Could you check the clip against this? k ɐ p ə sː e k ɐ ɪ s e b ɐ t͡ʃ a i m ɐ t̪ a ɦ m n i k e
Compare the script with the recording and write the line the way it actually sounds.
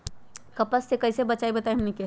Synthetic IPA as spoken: k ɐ p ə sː e k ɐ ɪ s e b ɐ t͡ʃ a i b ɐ t̪ a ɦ m n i k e